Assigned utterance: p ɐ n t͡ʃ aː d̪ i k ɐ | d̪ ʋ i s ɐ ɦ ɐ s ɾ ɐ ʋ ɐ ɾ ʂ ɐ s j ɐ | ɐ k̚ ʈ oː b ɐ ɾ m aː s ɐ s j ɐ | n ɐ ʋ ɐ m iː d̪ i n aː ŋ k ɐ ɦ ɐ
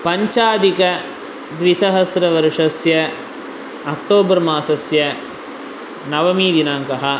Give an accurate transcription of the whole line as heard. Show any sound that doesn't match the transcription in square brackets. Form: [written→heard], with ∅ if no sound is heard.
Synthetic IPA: p ɐ [n→ɲ] t͡ʃ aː d̪ i k ɐ | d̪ ʋ i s ɐ ɦ ɐ s ɾ ɐ ʋ ɐ ɾ ʂ ɐ s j ɐ | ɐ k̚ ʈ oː b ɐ ɾ m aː s ɐ s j ɐ | n ɐ ʋ ɐ m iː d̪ i n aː ŋ k ɐ ɦ ɐ